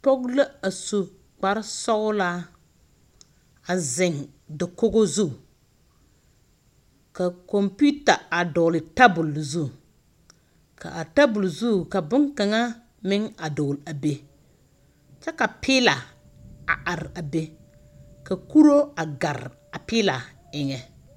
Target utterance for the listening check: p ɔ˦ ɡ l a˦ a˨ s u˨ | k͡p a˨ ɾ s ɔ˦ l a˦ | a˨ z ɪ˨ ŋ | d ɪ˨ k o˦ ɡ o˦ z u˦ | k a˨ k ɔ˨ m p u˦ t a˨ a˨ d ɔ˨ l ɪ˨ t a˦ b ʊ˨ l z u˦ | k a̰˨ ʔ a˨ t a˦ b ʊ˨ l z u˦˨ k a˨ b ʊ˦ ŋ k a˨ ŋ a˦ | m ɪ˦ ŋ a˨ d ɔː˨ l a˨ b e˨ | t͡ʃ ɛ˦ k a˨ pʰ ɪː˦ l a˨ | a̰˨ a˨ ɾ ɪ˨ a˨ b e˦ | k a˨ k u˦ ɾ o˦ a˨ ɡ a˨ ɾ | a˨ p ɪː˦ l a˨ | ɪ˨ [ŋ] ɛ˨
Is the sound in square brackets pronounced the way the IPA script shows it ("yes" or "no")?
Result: yes